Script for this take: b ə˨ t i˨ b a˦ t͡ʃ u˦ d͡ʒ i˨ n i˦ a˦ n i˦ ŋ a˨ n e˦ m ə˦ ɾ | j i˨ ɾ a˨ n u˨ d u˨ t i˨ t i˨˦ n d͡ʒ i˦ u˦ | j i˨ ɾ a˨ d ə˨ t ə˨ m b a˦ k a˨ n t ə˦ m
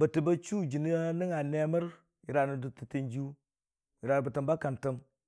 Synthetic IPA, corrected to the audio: b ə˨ t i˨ b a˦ t͡ʃ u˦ d͡ʒ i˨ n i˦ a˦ n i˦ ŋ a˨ n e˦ m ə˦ ɾ | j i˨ ɾ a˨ n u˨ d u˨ t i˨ t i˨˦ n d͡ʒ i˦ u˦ | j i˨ ɾ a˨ b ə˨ t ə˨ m b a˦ k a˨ n t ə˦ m